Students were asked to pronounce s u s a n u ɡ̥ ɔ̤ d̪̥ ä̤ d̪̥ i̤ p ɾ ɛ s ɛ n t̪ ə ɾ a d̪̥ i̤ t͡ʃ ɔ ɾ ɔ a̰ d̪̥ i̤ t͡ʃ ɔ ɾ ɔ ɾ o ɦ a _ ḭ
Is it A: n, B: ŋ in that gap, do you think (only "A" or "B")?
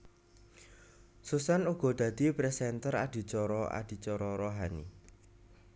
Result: A